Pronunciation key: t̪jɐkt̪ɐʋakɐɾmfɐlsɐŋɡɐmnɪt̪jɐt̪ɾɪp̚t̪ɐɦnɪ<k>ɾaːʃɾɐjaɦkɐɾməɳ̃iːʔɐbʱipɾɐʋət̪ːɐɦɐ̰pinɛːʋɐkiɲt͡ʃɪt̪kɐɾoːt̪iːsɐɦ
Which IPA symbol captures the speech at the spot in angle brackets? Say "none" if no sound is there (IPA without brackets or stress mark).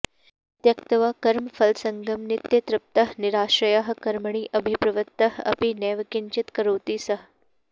none